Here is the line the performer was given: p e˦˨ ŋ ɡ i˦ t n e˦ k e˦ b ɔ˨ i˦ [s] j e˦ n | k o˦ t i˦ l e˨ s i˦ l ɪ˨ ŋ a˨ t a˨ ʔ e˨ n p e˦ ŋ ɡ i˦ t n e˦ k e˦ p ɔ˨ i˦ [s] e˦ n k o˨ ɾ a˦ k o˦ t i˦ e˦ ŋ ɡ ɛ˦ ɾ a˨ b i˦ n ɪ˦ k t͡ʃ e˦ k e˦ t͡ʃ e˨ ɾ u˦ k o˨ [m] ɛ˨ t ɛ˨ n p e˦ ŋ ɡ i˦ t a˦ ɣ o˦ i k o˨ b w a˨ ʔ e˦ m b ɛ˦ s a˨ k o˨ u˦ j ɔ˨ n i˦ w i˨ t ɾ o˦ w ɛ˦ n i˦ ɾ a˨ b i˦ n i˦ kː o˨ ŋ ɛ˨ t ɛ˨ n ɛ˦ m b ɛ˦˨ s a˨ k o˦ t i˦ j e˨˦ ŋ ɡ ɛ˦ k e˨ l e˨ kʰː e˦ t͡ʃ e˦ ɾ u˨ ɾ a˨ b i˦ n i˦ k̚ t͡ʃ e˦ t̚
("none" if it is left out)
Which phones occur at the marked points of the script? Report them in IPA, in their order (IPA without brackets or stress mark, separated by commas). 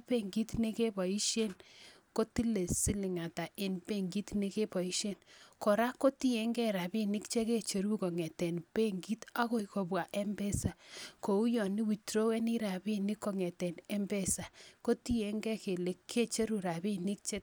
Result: ʃ, ʃ, ŋ